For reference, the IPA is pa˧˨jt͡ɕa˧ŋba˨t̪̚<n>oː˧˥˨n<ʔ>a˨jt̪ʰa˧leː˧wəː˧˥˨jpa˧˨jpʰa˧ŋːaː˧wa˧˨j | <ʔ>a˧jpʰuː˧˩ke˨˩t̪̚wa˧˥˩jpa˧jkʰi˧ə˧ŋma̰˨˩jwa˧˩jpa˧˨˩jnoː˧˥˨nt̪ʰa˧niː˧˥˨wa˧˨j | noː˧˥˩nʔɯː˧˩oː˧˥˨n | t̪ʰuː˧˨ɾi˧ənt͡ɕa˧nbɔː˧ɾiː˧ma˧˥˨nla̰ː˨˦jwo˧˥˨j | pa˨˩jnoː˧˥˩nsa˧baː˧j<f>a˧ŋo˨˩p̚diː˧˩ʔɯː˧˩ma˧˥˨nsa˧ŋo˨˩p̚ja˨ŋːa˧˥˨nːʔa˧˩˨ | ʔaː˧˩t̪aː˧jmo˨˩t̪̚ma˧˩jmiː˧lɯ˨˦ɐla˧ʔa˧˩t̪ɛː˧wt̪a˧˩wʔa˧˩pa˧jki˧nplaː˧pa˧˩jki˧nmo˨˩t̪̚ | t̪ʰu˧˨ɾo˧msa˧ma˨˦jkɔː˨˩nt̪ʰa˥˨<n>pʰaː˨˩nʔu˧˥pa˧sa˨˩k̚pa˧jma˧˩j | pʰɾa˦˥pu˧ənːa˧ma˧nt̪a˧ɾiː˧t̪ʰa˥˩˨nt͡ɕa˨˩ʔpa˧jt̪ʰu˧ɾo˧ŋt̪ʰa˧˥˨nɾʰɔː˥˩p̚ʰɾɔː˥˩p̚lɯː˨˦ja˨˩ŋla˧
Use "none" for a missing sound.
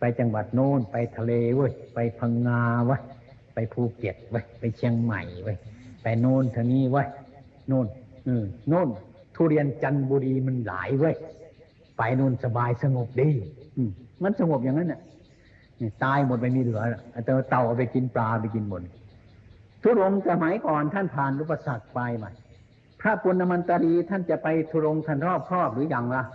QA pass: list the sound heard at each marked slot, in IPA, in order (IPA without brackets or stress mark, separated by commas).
n, p, p, s, n